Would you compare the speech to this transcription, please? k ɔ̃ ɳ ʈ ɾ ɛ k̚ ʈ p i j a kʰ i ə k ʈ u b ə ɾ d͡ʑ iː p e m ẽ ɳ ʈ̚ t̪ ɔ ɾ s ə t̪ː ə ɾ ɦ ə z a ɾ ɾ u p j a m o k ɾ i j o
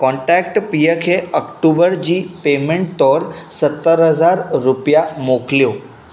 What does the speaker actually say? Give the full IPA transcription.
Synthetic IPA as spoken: k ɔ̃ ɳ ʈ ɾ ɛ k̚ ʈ p i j ə kʰ e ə k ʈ u b ə ɾ d͡ʑ iː p e m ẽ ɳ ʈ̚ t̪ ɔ ɾ s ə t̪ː ə ɾ ɦ ə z a ɾ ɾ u p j a m o k l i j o